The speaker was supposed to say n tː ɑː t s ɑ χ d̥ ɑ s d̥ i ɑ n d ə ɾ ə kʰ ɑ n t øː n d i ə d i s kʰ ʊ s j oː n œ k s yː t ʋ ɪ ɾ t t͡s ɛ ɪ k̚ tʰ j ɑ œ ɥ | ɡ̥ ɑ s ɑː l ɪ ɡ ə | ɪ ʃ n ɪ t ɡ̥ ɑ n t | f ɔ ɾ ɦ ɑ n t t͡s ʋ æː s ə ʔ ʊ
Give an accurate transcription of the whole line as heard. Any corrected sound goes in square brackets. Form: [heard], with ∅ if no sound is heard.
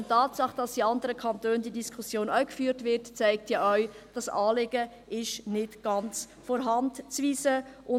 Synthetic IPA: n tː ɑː t s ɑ χ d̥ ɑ s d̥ i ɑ n d ə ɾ ə kʰ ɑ n t øː n d i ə d i s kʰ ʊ s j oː n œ k [f] yː t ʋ ɪ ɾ t t͡s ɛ ɪ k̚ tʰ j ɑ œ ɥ | [d̥] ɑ s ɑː l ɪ ɡ ə | ɪ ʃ n ɪ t ɡ̥ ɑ n [t͡s] | f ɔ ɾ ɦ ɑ n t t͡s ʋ [iː] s ə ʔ ʊ